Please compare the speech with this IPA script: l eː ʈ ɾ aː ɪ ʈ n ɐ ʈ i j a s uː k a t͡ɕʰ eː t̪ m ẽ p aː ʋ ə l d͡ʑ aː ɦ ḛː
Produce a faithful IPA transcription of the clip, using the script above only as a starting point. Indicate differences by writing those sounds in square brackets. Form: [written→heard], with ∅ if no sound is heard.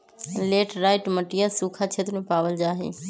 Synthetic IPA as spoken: l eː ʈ ɾ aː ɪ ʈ [n→m] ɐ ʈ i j a s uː [k→kʰ] a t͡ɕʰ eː t̪ m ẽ p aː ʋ ə l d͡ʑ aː ɦ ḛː